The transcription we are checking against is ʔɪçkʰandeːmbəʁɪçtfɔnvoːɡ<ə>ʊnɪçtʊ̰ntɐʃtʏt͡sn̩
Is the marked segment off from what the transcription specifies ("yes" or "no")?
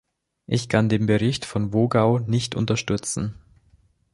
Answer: yes